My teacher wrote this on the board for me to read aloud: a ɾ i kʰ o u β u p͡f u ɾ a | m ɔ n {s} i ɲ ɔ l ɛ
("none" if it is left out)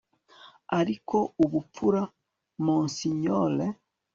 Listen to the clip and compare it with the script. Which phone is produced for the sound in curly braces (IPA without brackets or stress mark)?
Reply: s